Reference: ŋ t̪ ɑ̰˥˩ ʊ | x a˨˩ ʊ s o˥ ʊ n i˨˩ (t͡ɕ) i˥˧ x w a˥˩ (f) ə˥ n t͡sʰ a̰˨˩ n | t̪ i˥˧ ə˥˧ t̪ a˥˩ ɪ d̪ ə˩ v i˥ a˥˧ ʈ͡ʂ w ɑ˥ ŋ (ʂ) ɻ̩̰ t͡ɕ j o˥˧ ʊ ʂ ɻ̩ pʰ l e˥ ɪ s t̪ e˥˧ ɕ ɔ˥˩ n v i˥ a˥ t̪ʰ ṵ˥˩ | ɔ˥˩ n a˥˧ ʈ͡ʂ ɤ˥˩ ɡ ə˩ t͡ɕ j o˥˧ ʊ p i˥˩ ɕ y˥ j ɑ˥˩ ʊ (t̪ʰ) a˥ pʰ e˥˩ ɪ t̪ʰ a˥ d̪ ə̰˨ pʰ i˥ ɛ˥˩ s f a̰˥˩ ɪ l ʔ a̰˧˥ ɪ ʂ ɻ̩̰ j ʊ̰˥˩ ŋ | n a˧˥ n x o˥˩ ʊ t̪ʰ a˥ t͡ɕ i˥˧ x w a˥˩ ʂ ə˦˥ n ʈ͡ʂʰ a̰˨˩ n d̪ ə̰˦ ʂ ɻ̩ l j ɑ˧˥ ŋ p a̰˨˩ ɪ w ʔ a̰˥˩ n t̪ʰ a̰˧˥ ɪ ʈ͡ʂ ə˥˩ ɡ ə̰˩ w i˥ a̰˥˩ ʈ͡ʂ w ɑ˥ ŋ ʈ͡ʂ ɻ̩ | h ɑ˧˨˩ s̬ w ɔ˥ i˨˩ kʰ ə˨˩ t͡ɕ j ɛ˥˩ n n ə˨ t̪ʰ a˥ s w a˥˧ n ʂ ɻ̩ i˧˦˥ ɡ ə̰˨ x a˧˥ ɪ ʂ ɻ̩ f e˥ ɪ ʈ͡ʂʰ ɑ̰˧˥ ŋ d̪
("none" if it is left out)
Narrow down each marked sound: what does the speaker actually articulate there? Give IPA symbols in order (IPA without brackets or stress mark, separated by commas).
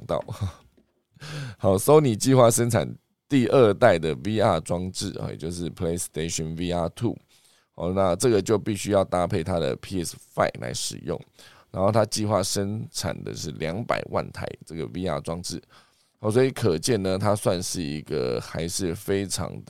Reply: t͡ɕ, ʂ, ʈ͡ʂ, t̪